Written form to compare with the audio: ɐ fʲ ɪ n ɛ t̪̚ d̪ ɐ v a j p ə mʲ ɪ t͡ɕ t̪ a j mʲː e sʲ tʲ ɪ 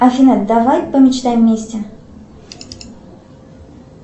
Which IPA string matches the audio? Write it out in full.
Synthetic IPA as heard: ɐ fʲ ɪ n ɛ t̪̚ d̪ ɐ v a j p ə mʲ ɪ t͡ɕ t̪ a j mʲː e sʲ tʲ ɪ